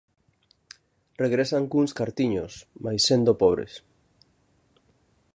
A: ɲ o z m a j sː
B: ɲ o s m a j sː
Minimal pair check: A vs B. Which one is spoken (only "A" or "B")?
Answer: B